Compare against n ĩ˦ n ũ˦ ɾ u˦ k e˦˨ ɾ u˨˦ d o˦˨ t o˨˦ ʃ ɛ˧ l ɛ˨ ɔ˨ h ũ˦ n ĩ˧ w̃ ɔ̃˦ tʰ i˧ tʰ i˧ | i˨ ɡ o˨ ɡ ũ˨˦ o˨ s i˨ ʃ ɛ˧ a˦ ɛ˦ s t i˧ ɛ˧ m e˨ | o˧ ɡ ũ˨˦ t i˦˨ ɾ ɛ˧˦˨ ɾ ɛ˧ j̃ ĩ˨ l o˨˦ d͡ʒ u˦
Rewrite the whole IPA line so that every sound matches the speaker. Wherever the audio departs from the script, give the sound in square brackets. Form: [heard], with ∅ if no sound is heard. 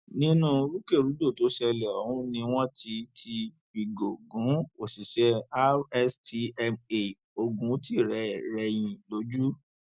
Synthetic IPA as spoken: n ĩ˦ n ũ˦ ɾ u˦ k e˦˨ ɾ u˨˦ d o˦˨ t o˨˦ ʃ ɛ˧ l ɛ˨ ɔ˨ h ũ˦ n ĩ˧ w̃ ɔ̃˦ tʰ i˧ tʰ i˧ | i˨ ɡ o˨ ɡ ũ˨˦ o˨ s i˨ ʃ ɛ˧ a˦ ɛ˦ s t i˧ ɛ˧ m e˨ | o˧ ɡ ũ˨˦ t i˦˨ ɾ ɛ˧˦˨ ɾ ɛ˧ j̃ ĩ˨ l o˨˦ d͡ʒ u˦